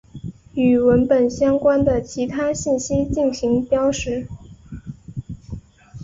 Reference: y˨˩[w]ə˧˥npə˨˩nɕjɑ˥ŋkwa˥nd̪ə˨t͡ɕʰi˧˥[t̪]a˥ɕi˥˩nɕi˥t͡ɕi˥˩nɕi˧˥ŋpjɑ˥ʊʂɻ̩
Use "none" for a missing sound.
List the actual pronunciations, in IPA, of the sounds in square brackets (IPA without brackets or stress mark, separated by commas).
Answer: w, t̪ʰ